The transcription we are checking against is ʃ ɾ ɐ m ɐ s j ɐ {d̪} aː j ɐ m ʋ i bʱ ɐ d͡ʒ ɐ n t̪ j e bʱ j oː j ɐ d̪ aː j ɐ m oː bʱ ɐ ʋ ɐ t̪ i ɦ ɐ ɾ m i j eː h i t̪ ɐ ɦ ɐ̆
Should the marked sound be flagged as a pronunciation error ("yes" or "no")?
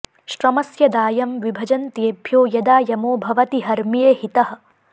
no